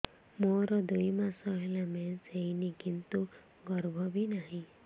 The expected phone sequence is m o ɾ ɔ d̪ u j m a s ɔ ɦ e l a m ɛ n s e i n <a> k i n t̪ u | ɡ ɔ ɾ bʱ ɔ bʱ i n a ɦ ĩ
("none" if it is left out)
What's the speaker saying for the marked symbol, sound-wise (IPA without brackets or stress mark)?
i